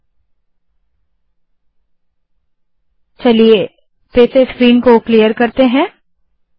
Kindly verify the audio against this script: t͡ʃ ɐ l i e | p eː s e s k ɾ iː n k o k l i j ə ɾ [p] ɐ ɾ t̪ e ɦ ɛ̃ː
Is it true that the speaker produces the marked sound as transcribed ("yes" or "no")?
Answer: no